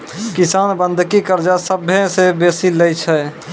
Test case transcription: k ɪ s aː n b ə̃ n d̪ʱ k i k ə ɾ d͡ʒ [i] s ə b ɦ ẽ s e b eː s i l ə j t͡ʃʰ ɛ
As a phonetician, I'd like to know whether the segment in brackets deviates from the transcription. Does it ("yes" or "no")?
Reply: yes